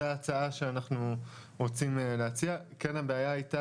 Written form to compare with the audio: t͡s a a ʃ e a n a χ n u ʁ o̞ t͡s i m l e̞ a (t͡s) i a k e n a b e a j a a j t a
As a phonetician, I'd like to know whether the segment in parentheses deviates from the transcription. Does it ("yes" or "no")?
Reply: no